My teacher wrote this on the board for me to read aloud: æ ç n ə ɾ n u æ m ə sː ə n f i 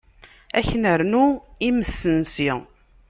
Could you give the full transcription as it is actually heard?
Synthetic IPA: æ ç n ə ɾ n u i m ə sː ə n s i